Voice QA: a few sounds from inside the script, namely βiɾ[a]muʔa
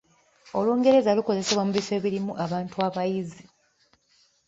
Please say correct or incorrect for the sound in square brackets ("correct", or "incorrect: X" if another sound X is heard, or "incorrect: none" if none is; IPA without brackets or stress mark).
incorrect: i